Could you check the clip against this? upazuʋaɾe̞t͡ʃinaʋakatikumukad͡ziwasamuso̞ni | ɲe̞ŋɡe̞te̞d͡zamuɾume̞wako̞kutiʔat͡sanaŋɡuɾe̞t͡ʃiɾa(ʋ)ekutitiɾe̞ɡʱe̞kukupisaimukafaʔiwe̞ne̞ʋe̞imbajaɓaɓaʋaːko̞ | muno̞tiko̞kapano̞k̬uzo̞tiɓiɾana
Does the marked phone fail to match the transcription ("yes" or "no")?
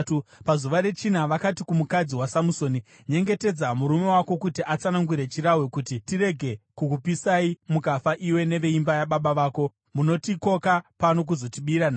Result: yes